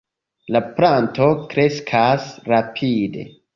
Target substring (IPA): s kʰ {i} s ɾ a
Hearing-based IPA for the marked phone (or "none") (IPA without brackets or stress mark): a